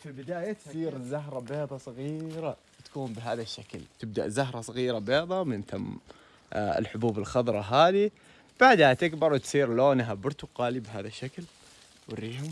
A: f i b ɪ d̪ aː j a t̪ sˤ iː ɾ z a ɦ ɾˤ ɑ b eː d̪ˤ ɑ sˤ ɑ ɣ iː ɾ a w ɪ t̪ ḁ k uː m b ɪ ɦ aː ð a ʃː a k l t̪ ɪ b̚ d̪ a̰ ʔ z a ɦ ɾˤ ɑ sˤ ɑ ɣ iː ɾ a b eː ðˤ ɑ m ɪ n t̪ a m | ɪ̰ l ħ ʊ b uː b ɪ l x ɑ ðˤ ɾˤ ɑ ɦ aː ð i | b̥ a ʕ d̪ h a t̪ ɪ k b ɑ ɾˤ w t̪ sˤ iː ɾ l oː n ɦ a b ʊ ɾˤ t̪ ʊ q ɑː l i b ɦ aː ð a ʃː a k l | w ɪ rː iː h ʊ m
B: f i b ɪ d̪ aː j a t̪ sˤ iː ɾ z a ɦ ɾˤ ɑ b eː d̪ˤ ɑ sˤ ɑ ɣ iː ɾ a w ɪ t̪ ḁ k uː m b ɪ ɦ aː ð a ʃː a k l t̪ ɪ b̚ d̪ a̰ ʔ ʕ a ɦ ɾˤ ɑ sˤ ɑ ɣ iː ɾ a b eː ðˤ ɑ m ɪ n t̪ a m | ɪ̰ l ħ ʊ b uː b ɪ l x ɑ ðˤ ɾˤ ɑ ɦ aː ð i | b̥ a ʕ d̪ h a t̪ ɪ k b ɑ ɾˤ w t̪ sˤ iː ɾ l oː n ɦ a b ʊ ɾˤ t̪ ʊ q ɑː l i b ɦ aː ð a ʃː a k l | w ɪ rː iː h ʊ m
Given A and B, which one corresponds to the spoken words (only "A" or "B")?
A